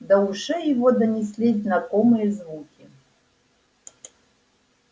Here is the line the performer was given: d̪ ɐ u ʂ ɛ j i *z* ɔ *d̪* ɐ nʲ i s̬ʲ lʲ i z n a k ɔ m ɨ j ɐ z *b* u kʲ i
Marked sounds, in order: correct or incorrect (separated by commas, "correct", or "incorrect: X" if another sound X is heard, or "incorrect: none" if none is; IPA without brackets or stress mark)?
incorrect: v, correct, incorrect: v